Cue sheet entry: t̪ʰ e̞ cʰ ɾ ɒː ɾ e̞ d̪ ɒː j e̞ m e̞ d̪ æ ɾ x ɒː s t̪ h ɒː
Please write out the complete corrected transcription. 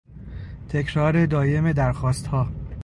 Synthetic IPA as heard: t̪ʰ e̞ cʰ ɾ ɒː ɾ e̞ d̪ ɒː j e̞ m e̞ d̪ æ ɾ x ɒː s t̪ h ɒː

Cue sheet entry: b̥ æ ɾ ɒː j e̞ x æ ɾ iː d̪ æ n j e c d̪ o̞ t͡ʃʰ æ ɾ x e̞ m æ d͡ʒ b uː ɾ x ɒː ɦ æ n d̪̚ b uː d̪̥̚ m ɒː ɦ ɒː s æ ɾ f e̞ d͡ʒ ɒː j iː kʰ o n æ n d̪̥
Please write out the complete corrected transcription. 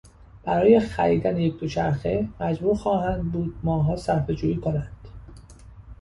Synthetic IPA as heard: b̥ æ ɾ ɒː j e̞ x æ ɾ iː d̪ æ n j e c d̪ o̞ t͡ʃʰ æ ɾ x e̞ m æ d͡ʒ b uː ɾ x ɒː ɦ æ n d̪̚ b uː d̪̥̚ m ɒː ɦ ɒː s æ ɾ f e̞ d͡ʒ uː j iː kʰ o n æ n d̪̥

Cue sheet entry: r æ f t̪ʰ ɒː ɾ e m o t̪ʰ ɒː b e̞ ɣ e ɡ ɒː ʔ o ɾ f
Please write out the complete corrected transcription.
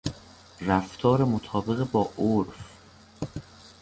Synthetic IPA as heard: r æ f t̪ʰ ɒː ɾ e m o t̪ʰ ɒː b e̞ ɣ e b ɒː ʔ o ɾ f

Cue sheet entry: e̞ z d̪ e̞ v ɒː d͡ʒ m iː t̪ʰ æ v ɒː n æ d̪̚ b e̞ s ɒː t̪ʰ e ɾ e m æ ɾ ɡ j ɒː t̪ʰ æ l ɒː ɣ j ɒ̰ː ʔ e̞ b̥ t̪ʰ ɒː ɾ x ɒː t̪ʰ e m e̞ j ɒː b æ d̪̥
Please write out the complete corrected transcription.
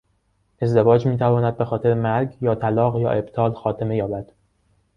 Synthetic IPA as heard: e̞ z d̪ e̞ v ɒː d͡ʒ m iː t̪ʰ æ v ɒː n æ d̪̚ b e̞ x ɒː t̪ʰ e ɾ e m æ ɾ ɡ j ɒː t̪ʰ æ l ɒː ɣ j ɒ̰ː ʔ e̞ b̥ t̪ʰ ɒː l x ɒː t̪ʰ e m e̞ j ɒː b æ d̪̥

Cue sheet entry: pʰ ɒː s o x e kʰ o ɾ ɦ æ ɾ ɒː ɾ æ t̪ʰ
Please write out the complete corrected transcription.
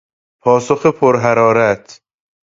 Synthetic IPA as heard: pʰ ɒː s o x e pʰ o ɾ ɦ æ ɾ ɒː ɾ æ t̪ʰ

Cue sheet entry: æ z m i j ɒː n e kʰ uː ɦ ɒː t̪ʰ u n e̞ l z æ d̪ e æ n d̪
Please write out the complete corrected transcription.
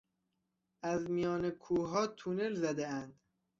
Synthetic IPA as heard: æ z m i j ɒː n e kʰ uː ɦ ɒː t̪ʰ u n e̞ l z æ d̪ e æ n d̪

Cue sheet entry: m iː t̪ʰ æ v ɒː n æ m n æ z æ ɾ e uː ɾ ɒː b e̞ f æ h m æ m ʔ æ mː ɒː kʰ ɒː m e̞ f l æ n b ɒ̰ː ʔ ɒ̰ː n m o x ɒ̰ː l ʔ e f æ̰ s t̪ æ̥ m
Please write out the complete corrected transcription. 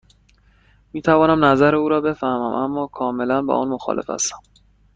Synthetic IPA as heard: m iː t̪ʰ æ v ɒː n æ m n æ z æ ɾ e uː ɾ ɒː b e̞ f æ h m æ m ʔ æ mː ɒː kʰ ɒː m e̞ l æ n b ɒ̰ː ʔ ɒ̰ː n m o x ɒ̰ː l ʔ e f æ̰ s t̪ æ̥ m

